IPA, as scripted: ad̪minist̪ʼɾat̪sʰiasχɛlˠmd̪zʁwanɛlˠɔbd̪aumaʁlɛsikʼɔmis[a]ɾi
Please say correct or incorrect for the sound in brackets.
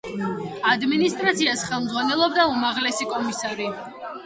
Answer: correct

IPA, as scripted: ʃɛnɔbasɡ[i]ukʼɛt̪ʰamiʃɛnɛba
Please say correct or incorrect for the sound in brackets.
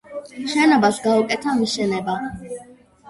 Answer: incorrect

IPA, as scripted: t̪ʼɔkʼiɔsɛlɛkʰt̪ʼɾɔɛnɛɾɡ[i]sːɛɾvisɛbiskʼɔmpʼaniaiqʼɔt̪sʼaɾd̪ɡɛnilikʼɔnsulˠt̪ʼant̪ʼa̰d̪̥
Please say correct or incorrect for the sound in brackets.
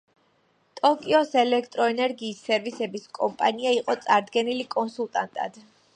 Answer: incorrect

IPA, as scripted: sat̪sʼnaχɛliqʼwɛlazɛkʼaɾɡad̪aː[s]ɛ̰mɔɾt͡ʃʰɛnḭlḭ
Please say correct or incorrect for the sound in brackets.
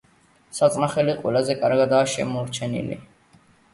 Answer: incorrect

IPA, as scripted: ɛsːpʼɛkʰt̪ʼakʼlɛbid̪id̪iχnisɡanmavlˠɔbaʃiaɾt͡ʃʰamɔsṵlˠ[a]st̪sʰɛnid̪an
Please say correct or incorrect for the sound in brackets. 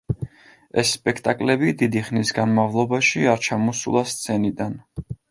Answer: correct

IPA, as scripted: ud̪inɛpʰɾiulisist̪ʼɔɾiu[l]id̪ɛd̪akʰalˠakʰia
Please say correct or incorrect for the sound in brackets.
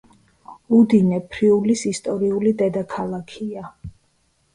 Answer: correct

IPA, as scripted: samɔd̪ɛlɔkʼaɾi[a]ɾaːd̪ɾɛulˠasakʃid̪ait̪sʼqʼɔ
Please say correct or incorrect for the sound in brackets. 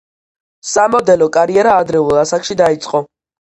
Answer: incorrect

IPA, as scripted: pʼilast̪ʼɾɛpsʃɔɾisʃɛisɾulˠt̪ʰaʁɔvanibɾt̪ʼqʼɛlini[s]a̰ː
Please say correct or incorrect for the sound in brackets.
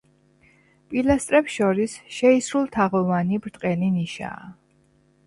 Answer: incorrect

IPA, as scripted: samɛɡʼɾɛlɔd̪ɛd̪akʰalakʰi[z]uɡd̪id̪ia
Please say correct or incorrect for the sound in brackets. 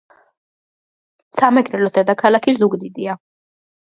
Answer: correct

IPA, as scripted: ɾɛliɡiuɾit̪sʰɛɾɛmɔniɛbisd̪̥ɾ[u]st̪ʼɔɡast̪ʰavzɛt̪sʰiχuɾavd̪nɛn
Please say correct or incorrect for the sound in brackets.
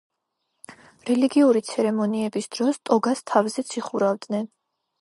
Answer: incorrect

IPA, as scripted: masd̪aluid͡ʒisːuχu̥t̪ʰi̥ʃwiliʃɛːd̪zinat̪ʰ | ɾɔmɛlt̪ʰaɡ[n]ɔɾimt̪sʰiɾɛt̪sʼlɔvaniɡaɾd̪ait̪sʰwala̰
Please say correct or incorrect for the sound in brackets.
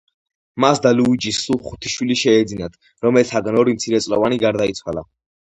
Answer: correct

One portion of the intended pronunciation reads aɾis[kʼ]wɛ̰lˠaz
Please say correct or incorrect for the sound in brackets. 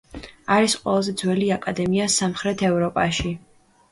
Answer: incorrect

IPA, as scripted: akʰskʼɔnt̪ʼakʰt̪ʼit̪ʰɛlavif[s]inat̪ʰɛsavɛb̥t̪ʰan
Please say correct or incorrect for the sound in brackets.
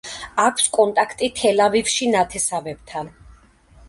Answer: incorrect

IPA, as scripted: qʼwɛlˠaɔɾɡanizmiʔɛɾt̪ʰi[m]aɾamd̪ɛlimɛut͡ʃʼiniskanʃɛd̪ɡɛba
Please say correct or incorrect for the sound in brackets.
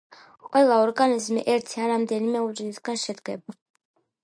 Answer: incorrect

